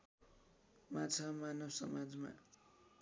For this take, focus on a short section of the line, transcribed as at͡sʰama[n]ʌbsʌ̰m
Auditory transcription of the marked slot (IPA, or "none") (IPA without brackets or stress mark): n